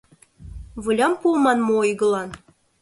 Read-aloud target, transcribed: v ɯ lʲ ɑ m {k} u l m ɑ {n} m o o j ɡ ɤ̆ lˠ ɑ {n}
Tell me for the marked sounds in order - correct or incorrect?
incorrect: p, correct, correct

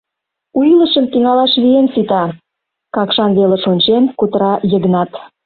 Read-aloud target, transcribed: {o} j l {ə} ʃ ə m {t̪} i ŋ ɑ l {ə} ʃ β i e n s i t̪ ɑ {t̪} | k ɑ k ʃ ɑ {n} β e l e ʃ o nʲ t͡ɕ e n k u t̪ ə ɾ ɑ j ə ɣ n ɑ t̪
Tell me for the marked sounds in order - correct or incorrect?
incorrect: u, correct, correct, incorrect: ɑ, incorrect: none, correct

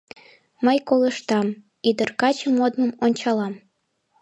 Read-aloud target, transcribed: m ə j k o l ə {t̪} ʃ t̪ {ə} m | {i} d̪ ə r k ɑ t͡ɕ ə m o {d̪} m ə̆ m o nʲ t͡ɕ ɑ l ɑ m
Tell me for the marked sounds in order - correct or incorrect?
incorrect: none, incorrect: ɑ, correct, correct

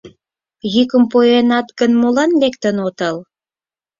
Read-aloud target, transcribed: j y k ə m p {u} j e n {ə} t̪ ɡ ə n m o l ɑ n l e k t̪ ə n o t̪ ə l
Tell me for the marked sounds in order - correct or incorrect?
incorrect: o, incorrect: ɑ

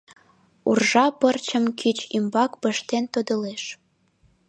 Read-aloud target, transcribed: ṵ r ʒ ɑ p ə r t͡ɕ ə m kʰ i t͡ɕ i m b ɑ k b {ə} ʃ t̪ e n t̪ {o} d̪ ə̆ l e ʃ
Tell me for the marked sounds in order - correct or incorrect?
correct, correct

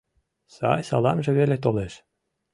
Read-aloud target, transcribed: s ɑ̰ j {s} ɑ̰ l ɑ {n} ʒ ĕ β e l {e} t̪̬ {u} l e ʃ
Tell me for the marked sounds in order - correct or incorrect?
correct, incorrect: m, correct, incorrect: o

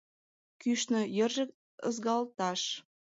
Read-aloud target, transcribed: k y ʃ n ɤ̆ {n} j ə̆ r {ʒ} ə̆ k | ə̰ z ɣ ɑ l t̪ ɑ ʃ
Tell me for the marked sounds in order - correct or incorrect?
incorrect: none, correct

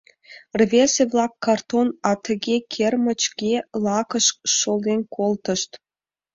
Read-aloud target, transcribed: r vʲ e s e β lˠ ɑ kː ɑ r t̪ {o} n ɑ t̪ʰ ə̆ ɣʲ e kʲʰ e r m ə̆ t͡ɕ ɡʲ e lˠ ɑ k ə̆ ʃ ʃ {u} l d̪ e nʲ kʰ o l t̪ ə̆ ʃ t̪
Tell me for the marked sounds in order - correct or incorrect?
correct, incorrect: o

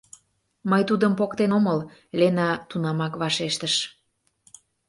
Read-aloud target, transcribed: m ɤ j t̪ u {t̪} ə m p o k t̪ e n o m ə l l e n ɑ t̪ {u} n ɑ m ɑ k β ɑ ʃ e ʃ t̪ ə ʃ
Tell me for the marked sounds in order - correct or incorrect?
incorrect: d̪, correct

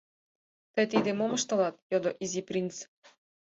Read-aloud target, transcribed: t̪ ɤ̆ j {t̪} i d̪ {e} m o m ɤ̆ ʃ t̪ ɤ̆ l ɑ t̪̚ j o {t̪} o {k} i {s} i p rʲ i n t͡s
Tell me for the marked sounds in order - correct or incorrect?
correct, correct, incorrect: d̪, incorrect: ʔ, incorrect: z

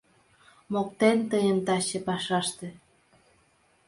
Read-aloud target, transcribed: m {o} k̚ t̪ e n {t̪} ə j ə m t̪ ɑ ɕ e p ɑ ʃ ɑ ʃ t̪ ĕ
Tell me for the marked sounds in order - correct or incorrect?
correct, correct

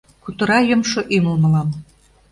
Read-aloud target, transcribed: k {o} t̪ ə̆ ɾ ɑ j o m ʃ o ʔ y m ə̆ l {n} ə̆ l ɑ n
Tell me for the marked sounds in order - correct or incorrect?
incorrect: u, incorrect: m

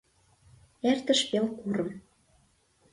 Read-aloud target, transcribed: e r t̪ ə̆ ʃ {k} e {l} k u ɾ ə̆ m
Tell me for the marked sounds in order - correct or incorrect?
incorrect: p, correct

